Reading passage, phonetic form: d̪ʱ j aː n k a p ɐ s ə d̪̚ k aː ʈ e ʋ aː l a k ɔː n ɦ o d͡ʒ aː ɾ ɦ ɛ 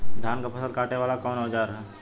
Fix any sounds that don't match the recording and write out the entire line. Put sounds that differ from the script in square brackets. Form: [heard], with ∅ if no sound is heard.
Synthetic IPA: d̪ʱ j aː n k a p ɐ s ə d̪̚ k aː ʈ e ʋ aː l a k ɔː n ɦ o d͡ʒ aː ɾ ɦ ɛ